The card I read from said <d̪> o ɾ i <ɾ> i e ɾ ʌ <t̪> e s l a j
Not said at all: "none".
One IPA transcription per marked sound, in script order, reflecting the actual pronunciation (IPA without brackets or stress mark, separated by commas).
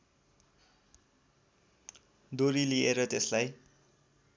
d̪, l, t̪